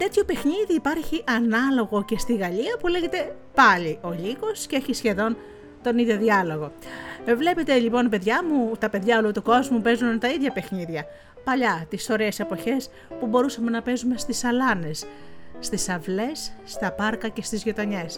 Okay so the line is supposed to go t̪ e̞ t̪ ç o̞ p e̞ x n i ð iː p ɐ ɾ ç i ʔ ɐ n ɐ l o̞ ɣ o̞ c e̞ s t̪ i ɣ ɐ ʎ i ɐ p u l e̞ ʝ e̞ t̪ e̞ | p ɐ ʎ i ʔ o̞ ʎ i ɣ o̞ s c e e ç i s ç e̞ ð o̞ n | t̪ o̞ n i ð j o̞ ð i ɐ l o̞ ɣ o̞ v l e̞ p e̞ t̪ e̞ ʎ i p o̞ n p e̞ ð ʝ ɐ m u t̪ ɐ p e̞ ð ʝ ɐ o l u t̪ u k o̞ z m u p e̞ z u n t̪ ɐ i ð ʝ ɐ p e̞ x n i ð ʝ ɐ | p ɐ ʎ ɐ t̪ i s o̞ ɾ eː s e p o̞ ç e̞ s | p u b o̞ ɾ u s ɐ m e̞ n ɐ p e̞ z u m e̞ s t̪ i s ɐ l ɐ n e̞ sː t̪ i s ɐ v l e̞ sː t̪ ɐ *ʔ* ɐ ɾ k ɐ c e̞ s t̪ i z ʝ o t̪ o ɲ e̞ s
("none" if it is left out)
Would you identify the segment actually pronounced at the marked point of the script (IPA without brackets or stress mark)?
p